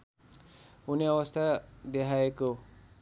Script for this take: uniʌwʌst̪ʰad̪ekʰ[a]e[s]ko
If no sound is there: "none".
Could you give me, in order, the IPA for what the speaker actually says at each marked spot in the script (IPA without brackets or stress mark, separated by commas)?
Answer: a, none